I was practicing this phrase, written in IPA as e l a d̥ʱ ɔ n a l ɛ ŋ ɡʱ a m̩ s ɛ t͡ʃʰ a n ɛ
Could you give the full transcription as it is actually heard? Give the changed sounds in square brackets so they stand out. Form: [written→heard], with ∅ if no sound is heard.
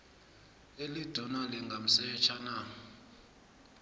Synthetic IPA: e l [a→i] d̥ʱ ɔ n a l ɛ ŋ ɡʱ a m̩ s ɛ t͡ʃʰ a n [ɛ→a]